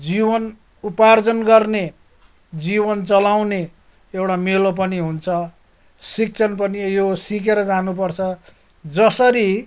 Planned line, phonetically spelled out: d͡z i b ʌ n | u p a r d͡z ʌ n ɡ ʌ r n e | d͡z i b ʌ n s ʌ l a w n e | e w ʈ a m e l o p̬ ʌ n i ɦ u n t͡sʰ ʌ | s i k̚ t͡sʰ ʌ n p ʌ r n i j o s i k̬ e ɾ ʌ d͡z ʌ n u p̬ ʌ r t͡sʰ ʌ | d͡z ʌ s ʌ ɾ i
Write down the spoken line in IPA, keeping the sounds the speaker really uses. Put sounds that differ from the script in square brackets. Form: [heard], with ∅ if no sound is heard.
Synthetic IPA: d͡z i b ʌ n | u p a r d͡z ʌ n ɡ ʌ r n e | d͡z i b ʌ n [t͡s] ʌ l a w n e | e w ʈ a m e l o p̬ ʌ n i ɦ u n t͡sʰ ʌ | s i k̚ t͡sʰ ʌ n p ʌ [∅] n i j o s i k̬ e ɾ ʌ d͡z [a] n u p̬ ʌ r t͡sʰ ʌ | d͡z ʌ s ʌ ɾ i